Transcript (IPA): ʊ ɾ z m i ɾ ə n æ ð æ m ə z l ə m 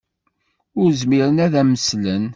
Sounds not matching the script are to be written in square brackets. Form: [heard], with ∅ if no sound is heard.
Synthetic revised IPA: ʊ ɾ z m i ɾ ə n æ ð æ m ə [s] l ə [n]